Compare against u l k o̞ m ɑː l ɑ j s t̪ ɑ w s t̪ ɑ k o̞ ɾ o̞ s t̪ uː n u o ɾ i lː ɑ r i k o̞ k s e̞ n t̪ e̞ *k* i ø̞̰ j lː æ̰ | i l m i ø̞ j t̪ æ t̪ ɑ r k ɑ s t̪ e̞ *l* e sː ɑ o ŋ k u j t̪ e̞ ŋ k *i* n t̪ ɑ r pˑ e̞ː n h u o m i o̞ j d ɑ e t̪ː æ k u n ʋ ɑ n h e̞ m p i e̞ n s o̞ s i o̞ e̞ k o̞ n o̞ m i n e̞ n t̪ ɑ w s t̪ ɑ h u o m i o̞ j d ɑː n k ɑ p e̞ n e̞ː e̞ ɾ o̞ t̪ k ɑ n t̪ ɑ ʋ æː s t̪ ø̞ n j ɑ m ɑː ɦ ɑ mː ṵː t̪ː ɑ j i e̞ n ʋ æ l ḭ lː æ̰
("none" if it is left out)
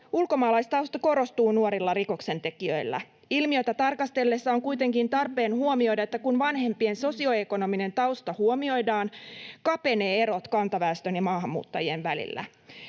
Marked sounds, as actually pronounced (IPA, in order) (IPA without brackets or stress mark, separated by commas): k, lː, i